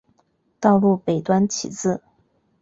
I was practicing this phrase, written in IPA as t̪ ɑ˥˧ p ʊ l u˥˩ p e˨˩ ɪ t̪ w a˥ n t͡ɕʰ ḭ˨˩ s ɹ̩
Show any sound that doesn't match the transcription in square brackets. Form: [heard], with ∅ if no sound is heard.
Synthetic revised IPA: t̪ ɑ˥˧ [∅] ʊ l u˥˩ p e˨˩ ɪ t̪ w a˥ n t͡ɕʰ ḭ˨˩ [t͡s] ɹ̩